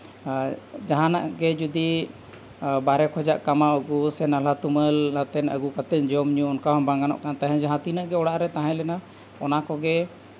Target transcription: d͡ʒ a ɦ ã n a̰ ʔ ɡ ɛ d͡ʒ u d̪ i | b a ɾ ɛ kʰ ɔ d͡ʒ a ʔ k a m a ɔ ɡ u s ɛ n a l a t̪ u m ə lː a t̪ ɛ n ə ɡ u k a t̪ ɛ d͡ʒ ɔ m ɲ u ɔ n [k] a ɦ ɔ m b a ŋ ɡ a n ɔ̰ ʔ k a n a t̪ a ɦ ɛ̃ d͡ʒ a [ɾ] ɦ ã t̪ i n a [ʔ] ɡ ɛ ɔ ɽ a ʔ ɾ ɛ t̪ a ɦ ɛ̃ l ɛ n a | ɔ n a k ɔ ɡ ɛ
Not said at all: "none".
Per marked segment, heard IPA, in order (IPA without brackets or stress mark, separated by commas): k, none, ʔ